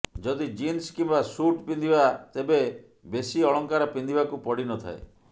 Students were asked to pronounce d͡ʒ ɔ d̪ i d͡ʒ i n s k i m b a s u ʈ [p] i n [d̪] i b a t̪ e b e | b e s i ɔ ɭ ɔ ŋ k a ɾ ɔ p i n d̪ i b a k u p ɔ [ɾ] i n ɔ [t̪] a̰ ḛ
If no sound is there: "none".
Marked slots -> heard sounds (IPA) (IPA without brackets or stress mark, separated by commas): p, d̪, ɽ, t̪ʰ